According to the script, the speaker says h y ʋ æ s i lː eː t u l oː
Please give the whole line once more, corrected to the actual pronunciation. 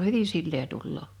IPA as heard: h y ʋ i s i lː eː t u lː oː